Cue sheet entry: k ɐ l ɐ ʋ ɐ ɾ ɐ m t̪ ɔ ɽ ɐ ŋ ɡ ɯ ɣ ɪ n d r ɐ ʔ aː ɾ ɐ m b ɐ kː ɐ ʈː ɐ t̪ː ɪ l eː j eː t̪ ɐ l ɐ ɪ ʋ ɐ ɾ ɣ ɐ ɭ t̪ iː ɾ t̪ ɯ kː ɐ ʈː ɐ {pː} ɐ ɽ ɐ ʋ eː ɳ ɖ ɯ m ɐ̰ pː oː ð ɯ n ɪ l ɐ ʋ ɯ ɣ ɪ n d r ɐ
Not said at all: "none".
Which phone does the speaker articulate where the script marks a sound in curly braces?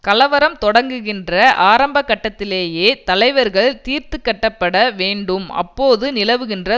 pː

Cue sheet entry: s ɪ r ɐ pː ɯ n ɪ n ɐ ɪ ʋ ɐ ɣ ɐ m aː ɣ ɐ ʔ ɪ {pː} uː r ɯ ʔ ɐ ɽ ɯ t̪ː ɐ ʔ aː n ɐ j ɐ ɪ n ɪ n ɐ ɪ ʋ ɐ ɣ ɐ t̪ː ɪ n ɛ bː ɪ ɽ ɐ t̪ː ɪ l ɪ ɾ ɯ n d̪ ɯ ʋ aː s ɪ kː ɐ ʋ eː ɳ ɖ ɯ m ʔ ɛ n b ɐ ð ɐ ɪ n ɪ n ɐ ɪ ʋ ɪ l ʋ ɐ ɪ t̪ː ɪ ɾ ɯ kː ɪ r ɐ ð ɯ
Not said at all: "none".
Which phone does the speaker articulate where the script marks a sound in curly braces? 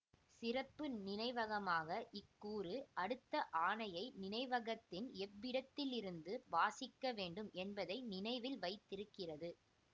kː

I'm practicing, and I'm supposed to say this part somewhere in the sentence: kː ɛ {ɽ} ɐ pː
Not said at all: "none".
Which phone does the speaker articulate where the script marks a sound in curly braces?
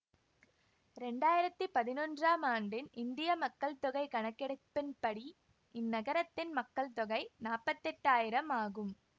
ɽ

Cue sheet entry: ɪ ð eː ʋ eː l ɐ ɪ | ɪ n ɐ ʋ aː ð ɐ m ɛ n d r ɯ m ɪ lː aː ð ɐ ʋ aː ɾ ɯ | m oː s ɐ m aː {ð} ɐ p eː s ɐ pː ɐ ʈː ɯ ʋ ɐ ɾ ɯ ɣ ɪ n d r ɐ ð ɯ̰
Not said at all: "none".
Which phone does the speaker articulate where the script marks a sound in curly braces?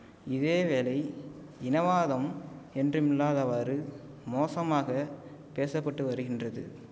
ɣ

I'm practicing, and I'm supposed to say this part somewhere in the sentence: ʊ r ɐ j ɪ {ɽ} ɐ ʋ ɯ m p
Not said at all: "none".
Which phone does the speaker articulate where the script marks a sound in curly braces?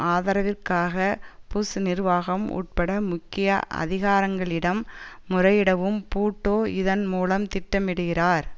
ɽ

